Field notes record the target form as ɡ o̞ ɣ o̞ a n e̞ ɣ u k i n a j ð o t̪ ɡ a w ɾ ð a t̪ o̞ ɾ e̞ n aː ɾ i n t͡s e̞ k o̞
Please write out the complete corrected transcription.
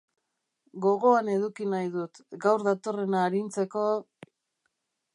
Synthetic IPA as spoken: ɡ o̞ ɣ o̞ a n e̞ ð u k i n a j ð u t̪ ɡ a w ɾ ð a t̪ o̞ r e̞ n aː ɾ i n t͡s e̞ k o̞